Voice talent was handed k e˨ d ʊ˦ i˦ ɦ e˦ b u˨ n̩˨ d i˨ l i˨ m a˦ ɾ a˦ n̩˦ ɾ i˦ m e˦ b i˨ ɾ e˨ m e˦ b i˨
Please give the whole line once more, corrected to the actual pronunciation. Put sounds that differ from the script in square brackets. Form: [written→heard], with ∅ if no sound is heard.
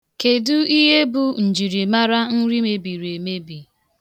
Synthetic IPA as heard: k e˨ d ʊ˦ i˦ ɦ e˦ b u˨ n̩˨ [d→d͡ʒ] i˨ [l→ɾ] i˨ m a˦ ɾ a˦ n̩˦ ɾ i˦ m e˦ b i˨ ɾ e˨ m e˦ b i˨